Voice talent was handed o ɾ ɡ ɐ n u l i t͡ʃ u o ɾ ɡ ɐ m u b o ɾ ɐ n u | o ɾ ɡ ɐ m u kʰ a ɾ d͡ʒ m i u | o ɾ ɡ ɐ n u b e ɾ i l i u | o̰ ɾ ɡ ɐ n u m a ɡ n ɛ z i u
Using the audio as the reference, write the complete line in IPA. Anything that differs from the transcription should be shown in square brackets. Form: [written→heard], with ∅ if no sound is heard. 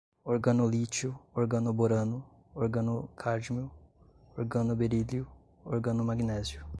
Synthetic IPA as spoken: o ɾ ɡ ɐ n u l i t͡ʃ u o ɾ ɡ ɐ [m→n] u b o ɾ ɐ n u | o ɾ ɡ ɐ [m→n] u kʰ a ɾ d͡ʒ m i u | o ɾ ɡ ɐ n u b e ɾ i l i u | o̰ ɾ ɡ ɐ n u m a ɡ n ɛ z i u